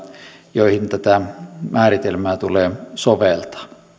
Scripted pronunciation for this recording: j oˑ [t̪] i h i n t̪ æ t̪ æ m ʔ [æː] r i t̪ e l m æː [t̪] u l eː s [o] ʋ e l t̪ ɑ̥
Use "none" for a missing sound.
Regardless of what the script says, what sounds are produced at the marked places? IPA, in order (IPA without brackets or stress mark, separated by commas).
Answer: none, æː, t̪, o